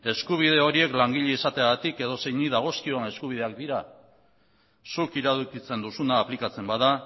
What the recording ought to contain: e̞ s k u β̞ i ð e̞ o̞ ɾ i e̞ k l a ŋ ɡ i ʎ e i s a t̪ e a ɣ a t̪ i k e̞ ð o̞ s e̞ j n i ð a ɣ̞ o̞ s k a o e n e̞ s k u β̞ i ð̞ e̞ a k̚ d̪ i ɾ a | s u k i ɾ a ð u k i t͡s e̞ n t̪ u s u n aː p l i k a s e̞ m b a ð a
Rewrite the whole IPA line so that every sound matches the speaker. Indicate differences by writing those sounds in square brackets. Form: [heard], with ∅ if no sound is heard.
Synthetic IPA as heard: e̞ s k u β̞ i ð e̞ o̞ ɾ i e̞ k l a ŋ ɡ i ʎ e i s a t̪ e a ɣ a t̪ i k e̞ ð o̞ s e̞ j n i ð a ɣ̞ o̞ s k [i] o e n e̞ s k u β̞ i ð̞ e̞ a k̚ d̪ i ɾ a | s u k i ɾ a ð u k i t͡s e̞ n [d̪] u s u n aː p l i k a [t͡s] e̞ m b a ð a